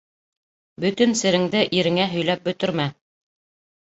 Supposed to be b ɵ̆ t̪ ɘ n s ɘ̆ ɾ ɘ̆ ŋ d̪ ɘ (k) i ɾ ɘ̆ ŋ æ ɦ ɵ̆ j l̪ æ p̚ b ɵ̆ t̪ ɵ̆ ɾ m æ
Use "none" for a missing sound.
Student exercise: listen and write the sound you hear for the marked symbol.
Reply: ʔ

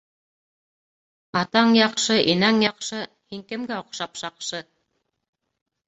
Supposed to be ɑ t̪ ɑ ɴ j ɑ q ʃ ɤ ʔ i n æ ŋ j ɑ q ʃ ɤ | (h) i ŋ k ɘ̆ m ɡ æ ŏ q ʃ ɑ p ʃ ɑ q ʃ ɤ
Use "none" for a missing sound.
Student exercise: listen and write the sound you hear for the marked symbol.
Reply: h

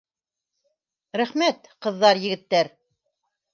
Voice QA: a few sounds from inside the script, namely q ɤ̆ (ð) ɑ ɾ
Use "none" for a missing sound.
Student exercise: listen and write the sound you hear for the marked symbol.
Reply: ðː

